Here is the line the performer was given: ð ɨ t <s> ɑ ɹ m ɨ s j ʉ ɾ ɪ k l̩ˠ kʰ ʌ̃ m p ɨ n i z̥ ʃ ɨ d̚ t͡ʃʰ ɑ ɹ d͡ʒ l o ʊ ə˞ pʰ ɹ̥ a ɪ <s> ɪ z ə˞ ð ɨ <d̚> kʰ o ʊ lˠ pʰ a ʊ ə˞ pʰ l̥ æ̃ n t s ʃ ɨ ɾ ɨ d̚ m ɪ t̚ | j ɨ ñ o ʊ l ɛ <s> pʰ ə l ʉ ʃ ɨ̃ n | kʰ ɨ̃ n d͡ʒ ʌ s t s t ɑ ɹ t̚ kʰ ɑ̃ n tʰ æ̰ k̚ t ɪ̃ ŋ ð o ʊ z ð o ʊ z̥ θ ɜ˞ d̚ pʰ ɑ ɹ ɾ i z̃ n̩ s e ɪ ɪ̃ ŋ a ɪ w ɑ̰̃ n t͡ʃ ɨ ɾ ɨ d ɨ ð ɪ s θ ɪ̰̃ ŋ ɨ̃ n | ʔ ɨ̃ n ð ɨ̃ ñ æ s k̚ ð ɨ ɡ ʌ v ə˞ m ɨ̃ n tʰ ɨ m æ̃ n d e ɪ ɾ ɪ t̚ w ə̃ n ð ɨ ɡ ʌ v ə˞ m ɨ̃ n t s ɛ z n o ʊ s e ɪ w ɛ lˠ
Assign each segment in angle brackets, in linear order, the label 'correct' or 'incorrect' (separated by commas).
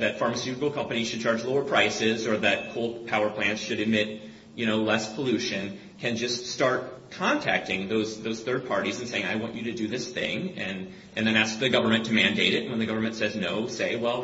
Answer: incorrect, correct, incorrect, correct